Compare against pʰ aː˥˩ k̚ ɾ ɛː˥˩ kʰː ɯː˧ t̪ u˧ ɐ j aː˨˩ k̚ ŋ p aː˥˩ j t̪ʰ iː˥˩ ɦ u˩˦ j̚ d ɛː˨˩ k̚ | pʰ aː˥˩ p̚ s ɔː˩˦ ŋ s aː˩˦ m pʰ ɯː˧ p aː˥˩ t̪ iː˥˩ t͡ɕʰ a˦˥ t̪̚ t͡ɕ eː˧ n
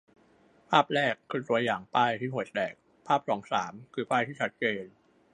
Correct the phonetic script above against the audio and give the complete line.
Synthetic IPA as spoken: pʰ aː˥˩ p̚ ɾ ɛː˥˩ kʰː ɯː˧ t̪ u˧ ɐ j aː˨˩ ŋ p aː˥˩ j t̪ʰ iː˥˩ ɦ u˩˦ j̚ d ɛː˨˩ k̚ | pʰ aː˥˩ p̚ s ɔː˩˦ ŋ s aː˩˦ m kʰ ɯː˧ p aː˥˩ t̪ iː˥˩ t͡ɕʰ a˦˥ t̪̚ t͡ɕ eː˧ n